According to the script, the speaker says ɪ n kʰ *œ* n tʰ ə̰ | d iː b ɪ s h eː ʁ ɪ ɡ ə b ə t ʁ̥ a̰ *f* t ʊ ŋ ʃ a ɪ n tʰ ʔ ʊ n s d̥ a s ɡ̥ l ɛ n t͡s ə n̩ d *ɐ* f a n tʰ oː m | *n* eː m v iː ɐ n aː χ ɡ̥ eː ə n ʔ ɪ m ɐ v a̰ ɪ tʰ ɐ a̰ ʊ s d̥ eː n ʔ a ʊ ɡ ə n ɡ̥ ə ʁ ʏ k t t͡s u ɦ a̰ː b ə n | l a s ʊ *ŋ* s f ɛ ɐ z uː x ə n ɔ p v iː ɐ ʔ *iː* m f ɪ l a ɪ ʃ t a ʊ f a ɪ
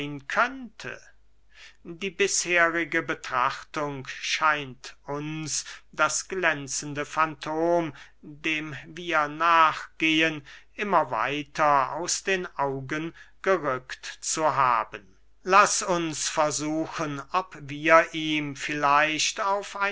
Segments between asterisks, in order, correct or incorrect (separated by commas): correct, incorrect, incorrect, incorrect, incorrect, correct